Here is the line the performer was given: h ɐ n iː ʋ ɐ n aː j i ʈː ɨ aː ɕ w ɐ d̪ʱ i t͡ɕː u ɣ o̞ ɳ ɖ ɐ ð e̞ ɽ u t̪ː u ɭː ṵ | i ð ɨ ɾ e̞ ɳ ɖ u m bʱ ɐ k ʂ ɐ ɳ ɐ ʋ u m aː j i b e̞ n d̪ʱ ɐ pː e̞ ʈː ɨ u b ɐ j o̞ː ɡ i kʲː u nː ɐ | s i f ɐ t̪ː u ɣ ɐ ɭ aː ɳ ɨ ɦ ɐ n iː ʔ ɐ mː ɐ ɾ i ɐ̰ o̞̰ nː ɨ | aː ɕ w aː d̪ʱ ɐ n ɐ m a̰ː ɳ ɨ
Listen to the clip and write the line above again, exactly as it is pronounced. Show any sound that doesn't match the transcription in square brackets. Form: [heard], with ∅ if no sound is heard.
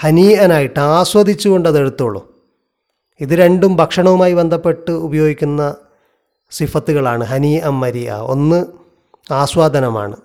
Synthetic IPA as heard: h ɐ n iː [∅] ɐ n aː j i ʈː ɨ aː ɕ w ɐ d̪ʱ i t͡ɕː u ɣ o̞ ɳ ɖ ɐ ð e̞ ɽ u t̪ː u ɭː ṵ | i ð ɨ ɾ e̞ ɳ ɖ u m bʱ ɐ k ʂ ɐ ɳ ɐ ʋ u m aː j i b e̞ n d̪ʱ ɐ pː e̞ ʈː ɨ u b ɐ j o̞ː ɡ i kʲː u nː ɐ | s i f ɐ t̪ː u ɣ ɐ ɭ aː ɳ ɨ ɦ ɐ n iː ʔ ɐ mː ɐ ɾ i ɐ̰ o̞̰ nː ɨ | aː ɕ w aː d̪ʱ ɐ n ɐ m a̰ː ɳ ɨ